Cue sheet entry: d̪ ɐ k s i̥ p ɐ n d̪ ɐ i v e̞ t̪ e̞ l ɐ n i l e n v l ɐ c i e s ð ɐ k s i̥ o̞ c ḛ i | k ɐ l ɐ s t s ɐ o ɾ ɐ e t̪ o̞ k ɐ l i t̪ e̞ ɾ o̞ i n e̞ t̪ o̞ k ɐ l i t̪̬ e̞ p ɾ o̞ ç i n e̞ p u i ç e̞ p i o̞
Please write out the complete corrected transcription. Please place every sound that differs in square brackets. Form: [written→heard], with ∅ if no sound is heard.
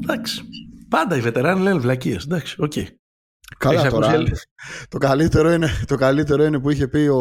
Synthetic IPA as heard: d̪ ɐ k s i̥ p ɐ n d̪ ɐ i v e̞ t̪ e̞ [l→ɾ] ɐ n i l e n v l ɐ c i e s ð ɐ k s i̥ o̞ c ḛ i | k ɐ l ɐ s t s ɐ o ɾ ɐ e t̪ o̞ k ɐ l i t̪ e̞ ɾ o̞ i n e̞ t̪ o̞ k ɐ l i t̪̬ e̞ [p→∅] ɾ o̞ [ç→∅] i n e̞ p u i ç e̞ p i o̞